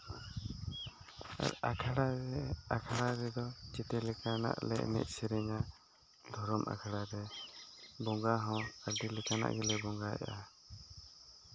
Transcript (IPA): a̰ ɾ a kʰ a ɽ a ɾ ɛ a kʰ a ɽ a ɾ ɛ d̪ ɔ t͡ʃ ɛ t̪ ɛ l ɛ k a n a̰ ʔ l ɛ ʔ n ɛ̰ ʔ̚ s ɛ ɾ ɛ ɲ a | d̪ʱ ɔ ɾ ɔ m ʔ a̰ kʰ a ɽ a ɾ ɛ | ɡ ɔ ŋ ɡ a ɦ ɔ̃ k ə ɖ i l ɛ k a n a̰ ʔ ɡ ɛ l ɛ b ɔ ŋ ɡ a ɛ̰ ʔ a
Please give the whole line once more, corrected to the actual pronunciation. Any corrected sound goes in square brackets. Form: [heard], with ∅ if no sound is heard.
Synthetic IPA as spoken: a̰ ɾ a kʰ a ɽ a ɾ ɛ a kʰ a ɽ a ɾ ɛ d̪ ɔ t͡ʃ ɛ t̪ ɛ l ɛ k a n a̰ ʔ l ɛ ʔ n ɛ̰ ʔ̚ s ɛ ɾ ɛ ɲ a | d̪ʱ ɔ ɾ ɔ m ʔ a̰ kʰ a ɽ a ɾ ɛ | [b] ɔ ŋ ɡ a ɦ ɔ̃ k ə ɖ i l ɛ k a n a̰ ʔ ɡ ɛ l ɛ b ɔ ŋ ɡ a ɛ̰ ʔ a